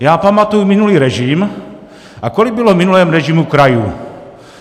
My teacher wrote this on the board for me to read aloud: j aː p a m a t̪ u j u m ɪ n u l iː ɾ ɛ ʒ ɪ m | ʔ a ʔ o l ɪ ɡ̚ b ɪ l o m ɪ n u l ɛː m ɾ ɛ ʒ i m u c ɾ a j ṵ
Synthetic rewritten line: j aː p a m a t̪ u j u m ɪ n u l iː ɾ ɛ ʒ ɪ m | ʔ a k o l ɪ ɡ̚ b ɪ l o m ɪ n u l ɛː m ɾ ɛ ʒ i m u k ɾ a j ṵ